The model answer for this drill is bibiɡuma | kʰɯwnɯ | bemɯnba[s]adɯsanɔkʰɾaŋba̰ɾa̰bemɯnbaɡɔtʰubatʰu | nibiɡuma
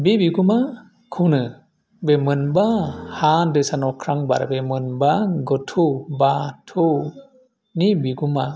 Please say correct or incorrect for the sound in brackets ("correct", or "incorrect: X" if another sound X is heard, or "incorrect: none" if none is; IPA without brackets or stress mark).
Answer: incorrect: h